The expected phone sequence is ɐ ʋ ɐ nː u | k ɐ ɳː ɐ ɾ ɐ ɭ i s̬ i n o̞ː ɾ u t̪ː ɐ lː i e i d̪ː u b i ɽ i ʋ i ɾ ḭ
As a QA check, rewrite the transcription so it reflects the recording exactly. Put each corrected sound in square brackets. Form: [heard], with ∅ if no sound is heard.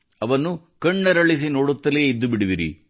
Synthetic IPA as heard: ɐ ʋ ɐ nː u | k ɐ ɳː ɐ ɾ ɐ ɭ i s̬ i n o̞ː [ɽ] u t̪ː ɐ [l] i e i d̪ː u b i ɽ i ʋ i ɾ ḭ